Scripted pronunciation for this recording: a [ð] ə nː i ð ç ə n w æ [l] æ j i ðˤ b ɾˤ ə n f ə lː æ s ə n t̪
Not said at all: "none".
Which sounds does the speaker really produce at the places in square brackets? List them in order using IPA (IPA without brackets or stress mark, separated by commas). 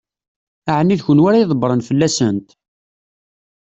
ʕ, ɾ